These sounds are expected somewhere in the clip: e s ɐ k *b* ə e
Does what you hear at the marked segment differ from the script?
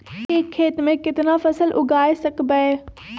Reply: no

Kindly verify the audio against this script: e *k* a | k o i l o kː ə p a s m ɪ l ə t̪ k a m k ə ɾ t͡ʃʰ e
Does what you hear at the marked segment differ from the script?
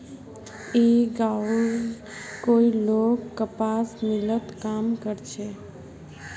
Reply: yes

